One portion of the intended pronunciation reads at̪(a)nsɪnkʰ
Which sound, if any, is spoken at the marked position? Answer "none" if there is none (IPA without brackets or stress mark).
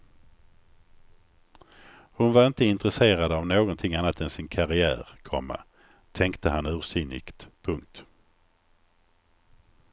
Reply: ɛ